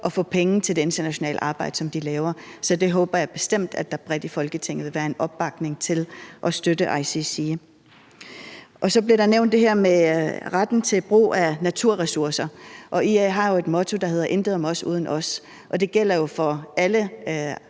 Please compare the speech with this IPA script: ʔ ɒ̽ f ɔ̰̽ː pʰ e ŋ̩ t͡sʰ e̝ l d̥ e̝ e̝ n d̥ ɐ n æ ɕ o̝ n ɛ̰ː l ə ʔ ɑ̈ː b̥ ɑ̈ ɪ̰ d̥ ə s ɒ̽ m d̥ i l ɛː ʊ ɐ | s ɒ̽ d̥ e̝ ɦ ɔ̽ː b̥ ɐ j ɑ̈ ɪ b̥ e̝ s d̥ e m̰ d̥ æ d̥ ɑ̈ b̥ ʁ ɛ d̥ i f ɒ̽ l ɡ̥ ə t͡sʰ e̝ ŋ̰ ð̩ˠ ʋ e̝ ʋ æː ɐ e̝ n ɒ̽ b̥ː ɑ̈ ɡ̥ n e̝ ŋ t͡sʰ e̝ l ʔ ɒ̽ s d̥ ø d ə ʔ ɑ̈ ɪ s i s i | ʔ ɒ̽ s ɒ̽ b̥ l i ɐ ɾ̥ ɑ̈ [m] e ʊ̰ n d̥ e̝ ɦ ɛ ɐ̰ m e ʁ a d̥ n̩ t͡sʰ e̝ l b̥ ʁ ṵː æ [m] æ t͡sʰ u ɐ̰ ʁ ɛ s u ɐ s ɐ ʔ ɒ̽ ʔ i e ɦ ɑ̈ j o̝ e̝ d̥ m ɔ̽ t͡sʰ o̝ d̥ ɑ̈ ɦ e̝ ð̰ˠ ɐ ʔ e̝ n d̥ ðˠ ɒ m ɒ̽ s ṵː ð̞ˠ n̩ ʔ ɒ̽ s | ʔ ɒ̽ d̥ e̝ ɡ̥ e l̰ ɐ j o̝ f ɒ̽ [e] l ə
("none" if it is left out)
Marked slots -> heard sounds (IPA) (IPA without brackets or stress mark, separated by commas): n, n, æ